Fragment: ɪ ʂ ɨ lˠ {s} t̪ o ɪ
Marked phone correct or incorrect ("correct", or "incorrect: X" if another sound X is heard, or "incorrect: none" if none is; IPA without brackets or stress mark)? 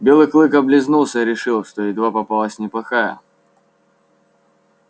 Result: incorrect: ʂ